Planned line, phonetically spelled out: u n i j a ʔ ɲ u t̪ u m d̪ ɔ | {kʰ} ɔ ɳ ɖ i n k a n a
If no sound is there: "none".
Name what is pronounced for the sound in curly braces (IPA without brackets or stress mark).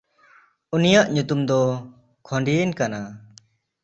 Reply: kʰ